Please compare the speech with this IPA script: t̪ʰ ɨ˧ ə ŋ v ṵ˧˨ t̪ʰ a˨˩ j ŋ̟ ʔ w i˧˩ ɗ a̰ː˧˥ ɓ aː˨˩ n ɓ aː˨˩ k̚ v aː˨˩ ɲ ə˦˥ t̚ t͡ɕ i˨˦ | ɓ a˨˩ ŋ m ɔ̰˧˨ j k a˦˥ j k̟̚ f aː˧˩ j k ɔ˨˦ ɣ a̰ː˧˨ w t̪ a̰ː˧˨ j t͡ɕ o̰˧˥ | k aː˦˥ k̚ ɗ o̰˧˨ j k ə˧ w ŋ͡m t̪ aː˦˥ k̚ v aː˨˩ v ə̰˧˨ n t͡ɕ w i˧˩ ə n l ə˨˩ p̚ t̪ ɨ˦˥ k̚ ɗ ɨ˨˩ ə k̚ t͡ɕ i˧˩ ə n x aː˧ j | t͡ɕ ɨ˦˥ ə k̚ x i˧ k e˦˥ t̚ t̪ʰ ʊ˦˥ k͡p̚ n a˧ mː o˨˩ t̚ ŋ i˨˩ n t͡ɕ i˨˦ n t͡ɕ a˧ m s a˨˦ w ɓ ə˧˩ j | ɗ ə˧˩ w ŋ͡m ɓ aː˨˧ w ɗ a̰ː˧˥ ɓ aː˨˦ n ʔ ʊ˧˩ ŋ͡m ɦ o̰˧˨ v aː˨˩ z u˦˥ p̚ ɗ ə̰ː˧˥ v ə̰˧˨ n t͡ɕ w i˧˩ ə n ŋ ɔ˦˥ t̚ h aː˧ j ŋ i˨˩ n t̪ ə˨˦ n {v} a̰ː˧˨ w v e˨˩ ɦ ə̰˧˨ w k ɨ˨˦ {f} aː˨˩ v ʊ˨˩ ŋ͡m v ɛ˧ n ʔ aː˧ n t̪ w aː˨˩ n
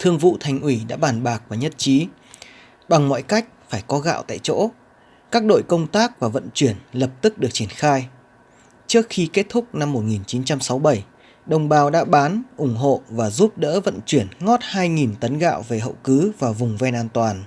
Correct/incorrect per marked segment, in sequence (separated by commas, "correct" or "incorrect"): incorrect, incorrect